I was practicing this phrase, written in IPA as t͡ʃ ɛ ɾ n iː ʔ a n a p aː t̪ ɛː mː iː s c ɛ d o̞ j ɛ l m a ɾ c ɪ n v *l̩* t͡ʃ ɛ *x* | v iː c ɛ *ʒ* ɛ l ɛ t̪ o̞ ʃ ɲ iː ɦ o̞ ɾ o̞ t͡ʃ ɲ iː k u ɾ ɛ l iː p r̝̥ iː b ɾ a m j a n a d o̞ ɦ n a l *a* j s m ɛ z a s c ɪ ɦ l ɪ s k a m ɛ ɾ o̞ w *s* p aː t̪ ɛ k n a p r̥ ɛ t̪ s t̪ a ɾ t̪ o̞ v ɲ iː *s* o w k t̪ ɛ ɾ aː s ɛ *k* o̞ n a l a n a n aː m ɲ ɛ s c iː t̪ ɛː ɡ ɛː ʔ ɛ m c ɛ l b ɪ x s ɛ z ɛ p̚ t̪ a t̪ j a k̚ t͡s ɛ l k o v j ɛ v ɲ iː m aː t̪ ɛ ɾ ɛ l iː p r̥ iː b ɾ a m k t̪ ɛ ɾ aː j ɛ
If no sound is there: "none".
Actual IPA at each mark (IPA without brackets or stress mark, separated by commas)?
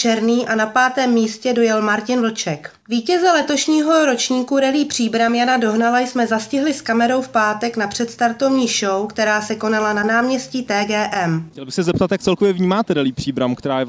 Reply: l̩, k, z, a, f, ʃ, k